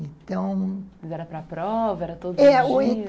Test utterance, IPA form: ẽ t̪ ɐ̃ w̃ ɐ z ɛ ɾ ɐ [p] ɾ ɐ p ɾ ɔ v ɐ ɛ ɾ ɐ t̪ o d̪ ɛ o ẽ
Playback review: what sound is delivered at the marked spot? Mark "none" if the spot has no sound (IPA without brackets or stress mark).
p